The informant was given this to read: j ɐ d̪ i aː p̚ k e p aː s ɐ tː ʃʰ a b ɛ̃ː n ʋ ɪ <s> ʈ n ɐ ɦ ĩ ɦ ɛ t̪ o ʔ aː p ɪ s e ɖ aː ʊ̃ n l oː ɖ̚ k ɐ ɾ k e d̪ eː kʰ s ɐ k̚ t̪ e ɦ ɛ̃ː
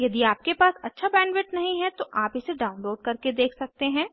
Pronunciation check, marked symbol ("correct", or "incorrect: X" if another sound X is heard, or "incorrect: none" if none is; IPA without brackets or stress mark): incorrect: none